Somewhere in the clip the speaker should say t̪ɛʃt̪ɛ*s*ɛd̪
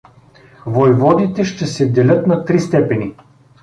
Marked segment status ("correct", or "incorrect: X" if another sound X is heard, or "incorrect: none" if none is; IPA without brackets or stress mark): correct